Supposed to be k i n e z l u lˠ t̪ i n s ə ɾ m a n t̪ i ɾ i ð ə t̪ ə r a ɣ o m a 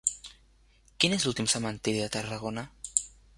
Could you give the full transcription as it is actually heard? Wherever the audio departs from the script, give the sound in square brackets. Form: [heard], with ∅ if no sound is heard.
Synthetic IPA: k i n e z l u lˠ t̪ i [m] s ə [∅] m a n t̪ i ɾ i ð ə t̪ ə r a ɣ o [n] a